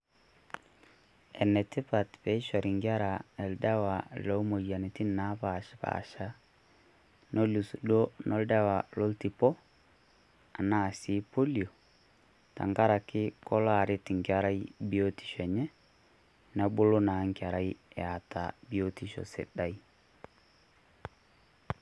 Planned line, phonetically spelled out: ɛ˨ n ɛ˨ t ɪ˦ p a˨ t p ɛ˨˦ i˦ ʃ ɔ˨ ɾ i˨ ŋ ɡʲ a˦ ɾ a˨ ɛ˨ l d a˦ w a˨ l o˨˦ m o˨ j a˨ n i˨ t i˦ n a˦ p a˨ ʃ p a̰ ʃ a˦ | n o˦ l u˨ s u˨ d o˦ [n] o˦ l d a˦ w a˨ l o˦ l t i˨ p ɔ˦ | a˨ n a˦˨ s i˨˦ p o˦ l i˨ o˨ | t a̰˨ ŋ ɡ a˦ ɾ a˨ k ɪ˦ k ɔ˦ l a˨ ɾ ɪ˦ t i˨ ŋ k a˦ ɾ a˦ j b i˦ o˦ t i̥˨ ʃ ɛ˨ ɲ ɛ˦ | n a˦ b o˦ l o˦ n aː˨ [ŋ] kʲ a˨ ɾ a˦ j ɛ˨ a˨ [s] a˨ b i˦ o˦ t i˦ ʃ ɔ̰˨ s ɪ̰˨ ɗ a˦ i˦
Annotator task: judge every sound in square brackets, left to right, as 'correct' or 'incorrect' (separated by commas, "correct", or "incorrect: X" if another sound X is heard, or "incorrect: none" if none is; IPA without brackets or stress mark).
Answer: correct, correct, incorrect: t